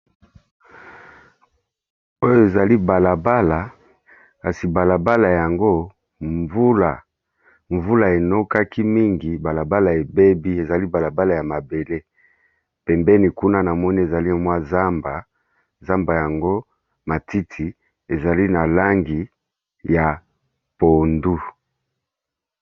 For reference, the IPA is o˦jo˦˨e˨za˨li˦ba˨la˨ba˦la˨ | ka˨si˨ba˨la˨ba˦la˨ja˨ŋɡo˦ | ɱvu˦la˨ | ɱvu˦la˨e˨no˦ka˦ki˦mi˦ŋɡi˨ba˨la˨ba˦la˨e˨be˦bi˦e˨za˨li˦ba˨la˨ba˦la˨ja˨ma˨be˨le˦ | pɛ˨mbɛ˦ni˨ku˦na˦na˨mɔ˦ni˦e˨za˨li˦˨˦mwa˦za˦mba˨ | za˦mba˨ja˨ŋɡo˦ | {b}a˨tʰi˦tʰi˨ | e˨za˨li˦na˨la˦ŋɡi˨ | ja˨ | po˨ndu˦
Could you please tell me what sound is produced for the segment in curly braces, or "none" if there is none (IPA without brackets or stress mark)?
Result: m